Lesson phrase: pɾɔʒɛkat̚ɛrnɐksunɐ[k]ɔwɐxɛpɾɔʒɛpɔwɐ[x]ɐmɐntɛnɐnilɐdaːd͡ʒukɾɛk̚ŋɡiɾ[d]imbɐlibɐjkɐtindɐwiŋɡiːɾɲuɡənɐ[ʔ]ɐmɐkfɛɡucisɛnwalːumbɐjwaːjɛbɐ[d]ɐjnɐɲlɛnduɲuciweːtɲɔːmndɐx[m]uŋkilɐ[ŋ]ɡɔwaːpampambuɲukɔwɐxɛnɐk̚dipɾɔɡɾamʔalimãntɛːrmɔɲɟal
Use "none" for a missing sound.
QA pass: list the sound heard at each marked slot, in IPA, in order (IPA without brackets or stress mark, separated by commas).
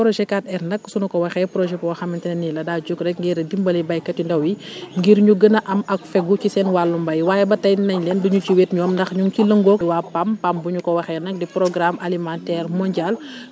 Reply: k, x, d, ʔ, t, ɲ, ŋ